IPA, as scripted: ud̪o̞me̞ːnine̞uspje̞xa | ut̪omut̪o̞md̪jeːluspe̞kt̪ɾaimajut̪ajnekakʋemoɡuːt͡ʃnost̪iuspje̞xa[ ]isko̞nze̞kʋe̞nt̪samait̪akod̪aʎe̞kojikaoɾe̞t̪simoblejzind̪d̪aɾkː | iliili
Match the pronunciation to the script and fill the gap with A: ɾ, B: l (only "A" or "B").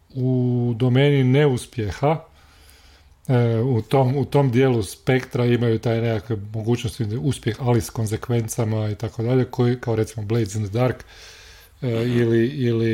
B